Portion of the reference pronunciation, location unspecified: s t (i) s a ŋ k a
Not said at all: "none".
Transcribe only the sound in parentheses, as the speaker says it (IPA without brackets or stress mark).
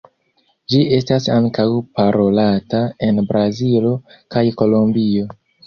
a